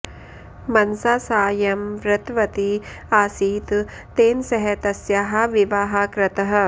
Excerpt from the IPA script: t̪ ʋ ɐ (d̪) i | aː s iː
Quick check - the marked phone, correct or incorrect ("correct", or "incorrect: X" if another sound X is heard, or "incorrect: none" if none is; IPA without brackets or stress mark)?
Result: incorrect: t̪